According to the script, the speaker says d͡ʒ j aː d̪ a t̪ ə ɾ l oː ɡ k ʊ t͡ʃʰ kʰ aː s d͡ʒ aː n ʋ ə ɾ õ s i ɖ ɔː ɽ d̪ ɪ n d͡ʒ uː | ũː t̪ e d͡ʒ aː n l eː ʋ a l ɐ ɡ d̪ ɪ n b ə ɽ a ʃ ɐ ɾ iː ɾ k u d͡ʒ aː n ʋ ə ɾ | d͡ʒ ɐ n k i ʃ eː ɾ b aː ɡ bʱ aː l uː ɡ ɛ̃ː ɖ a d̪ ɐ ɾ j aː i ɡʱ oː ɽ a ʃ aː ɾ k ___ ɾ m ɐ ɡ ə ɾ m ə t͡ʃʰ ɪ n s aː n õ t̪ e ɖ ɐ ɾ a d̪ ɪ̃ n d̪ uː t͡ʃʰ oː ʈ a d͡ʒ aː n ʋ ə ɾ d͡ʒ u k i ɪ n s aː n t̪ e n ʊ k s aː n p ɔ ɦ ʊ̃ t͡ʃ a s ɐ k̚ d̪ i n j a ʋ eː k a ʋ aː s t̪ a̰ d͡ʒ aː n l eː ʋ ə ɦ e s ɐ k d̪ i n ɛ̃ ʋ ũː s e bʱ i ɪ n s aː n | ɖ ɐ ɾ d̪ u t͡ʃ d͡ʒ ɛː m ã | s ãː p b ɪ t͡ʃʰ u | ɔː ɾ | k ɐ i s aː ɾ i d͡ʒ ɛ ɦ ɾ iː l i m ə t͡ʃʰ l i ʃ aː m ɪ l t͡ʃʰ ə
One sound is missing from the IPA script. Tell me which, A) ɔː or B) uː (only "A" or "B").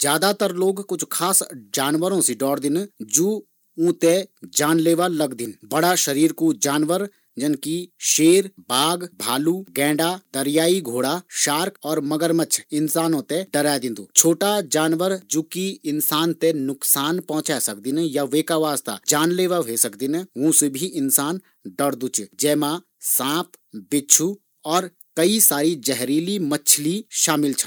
A